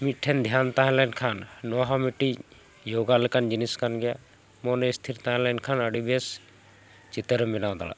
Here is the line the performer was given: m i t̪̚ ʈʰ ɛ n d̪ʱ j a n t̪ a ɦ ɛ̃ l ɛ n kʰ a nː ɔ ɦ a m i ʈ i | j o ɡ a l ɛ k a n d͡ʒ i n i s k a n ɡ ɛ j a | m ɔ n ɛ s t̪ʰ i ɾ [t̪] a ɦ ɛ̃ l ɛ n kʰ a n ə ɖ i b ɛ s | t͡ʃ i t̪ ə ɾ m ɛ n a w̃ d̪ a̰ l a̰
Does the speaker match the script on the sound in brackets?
yes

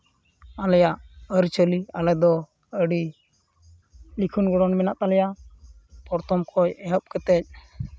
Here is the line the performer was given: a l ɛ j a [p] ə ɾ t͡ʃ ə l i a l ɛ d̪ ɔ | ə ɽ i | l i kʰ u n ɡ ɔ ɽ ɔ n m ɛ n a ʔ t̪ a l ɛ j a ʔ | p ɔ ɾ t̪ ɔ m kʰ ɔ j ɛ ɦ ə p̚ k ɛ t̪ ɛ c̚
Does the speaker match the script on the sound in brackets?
no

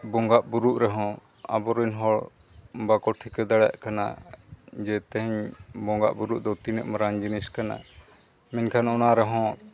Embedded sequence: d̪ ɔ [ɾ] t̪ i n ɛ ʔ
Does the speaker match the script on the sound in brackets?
no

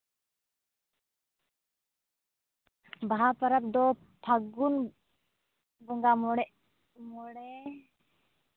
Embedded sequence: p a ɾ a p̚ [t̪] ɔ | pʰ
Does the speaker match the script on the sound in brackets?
no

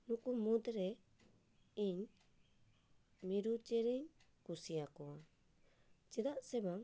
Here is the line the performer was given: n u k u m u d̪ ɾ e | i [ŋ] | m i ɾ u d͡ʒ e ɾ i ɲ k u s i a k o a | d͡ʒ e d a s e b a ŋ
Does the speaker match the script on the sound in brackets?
no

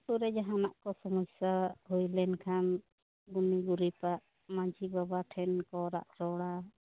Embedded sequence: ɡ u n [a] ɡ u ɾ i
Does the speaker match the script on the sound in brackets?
no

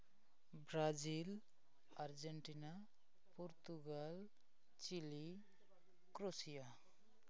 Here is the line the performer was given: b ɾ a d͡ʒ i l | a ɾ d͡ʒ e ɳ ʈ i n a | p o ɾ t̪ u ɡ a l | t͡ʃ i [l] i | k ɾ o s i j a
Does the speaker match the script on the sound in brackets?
yes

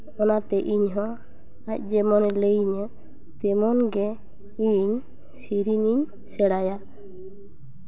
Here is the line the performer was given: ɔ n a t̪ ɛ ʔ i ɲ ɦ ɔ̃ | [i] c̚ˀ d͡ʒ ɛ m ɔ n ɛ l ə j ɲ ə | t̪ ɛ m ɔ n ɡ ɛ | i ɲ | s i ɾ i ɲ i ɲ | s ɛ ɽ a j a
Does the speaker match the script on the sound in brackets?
no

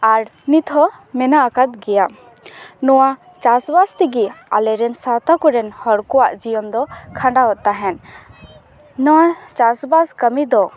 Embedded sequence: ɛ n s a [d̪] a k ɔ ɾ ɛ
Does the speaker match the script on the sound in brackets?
no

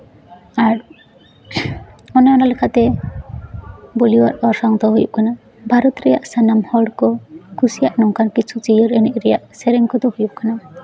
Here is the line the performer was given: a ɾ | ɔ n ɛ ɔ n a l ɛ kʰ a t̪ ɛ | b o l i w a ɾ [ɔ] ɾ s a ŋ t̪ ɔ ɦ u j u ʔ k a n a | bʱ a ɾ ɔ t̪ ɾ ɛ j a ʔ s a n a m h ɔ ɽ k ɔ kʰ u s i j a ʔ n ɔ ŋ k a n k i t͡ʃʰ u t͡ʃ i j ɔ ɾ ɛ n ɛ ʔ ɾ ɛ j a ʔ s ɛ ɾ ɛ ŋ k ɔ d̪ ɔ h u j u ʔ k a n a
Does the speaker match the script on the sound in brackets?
yes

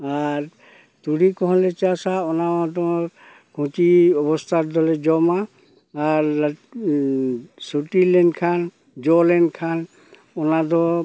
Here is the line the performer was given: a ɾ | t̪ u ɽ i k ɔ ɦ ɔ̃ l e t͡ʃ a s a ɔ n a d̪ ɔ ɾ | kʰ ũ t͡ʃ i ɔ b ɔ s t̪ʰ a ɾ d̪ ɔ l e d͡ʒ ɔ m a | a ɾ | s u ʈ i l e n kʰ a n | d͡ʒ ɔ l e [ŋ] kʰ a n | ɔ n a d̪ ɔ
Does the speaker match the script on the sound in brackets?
no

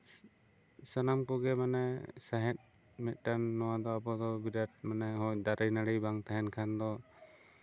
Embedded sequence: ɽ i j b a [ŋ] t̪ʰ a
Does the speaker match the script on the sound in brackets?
yes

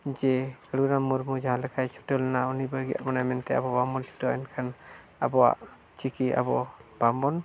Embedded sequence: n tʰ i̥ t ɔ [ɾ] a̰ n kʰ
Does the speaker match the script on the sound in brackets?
no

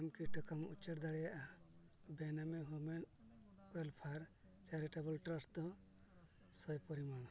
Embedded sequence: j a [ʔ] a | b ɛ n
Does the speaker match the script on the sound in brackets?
yes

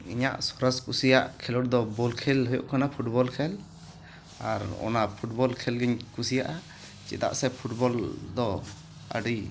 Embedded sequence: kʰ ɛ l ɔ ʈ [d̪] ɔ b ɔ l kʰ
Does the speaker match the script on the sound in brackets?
yes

